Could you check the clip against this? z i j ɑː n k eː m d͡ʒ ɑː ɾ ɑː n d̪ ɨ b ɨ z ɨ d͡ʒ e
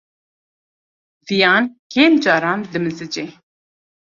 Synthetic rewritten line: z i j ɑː n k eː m d͡ʒ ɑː ɾ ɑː n d̪ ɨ m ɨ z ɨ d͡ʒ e